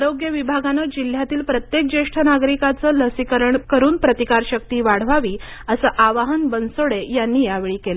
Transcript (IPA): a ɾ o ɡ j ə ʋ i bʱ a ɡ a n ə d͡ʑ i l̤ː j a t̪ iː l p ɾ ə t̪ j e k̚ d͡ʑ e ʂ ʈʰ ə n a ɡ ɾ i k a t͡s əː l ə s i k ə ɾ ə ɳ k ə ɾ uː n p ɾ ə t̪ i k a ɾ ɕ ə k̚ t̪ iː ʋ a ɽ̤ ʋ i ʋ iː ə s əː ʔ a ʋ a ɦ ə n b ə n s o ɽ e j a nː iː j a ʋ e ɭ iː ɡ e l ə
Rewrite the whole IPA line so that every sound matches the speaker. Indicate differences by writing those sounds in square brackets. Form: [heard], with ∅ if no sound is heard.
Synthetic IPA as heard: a ɾ o ɡ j ə ʋ i bʱ a ɡ a n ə d͡ʑ i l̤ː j a t̪ iː l p ɾ ə t̪ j e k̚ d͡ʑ e ʂ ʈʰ ə n a ɡ ɾ i k a t͡s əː l ə s i k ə ɾ ə ɳ k ə ɾ uː n p ɾ ə t̪ i k a ɾ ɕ ə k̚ t̪ iː ʋ a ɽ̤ ʋ [a] ʋ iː ə s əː ʔ a ʋ a ɦ ə n b ə n s o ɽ e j a nː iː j a ʋ e ɭ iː [k] e l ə